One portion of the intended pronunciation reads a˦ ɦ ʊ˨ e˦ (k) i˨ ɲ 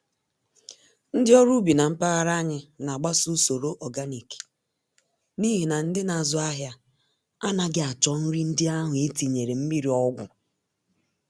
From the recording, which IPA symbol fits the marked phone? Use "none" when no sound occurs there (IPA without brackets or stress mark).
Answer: t